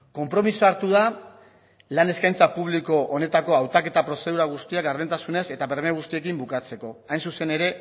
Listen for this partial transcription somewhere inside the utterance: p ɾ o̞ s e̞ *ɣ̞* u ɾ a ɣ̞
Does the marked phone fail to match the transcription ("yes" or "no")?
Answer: yes